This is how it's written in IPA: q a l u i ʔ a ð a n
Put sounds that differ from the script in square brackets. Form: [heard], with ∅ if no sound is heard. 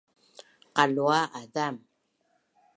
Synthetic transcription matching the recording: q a l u [a] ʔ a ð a [m]